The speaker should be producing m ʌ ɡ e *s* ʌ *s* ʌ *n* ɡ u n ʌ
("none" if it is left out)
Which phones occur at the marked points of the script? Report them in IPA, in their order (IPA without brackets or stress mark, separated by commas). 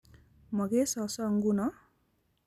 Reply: s, s, ŋ